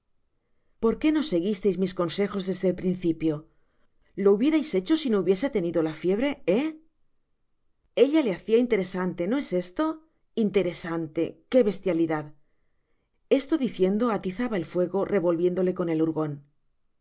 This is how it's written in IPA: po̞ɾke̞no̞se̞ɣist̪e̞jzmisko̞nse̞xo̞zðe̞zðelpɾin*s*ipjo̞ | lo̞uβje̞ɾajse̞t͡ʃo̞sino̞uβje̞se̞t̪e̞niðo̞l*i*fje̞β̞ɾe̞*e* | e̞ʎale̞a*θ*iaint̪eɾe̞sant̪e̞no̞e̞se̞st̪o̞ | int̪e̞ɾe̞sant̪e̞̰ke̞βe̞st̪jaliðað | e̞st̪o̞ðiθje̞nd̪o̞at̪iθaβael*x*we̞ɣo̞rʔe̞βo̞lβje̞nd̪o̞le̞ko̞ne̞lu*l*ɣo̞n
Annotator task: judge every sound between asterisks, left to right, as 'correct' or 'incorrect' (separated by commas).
incorrect, incorrect, correct, correct, incorrect, incorrect